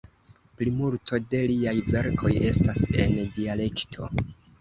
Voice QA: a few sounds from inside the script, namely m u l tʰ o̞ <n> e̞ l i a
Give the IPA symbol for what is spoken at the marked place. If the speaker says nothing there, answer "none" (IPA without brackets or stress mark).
d